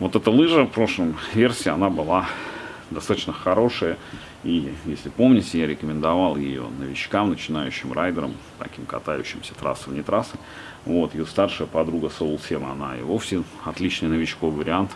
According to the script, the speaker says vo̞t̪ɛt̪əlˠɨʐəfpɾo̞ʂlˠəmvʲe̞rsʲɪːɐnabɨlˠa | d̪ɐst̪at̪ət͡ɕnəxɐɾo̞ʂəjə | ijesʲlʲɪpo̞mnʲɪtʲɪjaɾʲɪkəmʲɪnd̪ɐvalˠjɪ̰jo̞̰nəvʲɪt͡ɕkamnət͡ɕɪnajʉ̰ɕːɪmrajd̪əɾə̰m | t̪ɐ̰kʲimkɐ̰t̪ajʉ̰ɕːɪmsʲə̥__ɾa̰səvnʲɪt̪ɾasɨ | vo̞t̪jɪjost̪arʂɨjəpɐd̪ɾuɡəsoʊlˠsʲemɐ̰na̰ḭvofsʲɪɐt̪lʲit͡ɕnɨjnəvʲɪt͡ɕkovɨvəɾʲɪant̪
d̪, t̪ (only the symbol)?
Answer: t̪